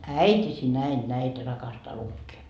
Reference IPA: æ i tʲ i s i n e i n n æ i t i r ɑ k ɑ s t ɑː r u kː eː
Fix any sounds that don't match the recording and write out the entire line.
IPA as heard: æ i tʲ i s i n æ i n n æ i t æ r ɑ k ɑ s t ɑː l u kː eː

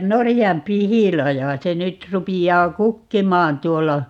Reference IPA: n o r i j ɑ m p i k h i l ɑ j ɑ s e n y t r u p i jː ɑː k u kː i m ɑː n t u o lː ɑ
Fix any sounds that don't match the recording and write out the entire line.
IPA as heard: n o r i j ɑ m p i h i l ɑ j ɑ s e n y t r u p i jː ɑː k u kː i m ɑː n t u o lː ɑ

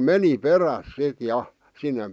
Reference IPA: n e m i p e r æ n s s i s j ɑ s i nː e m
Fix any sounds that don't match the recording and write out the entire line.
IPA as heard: m e n i p e r æ s s i t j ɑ s i nː e m

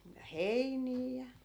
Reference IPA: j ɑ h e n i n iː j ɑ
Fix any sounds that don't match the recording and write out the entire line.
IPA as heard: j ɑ h e i n iː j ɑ

